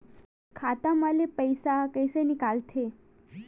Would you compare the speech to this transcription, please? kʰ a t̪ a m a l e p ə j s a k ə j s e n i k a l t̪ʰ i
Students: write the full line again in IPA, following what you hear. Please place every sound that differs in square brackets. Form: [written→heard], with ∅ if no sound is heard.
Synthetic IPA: kʰ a t̪ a m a l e p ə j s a k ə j s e n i k a l t̪ʰ [i→e]

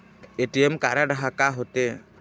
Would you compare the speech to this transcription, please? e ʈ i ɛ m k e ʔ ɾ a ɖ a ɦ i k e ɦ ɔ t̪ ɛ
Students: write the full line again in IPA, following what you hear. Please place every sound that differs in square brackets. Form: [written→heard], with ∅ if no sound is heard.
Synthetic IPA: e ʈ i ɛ m k [e→a] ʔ ɾ a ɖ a ɦ [i→a] k [e→a] ɦ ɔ t̪ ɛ

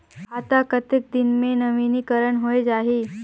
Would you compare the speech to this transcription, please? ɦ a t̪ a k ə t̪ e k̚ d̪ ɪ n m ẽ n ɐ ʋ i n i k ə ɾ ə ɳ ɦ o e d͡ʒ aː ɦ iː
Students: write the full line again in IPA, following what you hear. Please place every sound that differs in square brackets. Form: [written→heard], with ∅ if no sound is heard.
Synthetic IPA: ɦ a t̪ a k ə t̪ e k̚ d̪ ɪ n m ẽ n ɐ ʋ i n i k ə ɾ ə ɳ ɦ o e d͡ʒ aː ɦ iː

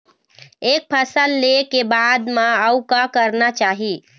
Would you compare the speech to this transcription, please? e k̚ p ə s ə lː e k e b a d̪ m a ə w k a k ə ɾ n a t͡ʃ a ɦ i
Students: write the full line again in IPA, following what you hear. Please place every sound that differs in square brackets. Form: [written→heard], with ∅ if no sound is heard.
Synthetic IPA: e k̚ [p→pʰ] ə s ə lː e k e b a d̪ m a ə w k a k ə ɾ n a t͡ʃ a ɦ i

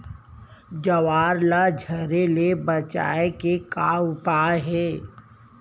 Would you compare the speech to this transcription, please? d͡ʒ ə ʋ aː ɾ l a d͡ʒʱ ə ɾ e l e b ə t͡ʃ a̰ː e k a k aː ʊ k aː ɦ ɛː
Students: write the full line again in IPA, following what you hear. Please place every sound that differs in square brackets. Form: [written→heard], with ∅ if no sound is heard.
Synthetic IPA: d͡ʒ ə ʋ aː ɾ l a d͡ʒʱ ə ɾ e l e b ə t͡ʃ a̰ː e k [a→e] k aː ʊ [k→p] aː ɦ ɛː

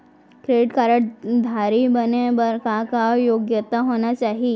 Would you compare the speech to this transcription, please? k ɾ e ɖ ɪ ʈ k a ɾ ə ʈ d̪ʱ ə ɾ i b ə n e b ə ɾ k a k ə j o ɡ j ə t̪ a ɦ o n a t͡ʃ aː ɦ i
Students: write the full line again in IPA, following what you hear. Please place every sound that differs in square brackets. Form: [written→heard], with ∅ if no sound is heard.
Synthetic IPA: k ɾ e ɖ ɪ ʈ k a ɾ ə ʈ d̪ʱ [ə→a] ɾ i b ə n e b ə ɾ k a k [ə→a] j o ɡ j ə t̪ a ɦ o n a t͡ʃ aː ɦ i

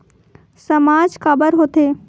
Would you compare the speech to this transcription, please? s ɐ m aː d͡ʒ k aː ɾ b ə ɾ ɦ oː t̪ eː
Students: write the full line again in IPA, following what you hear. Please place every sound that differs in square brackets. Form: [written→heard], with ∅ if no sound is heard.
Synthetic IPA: s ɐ m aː d͡ʒ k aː [ɾ→∅] b ə ɾ ɦ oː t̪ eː

